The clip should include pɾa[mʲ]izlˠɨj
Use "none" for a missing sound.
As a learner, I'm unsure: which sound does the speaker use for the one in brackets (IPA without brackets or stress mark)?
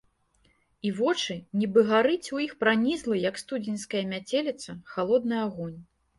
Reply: nʲ